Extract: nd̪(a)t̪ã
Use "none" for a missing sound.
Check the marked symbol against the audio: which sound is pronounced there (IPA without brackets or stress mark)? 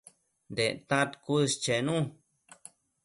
e